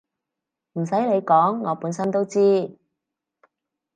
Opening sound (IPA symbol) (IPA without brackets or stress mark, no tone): m̩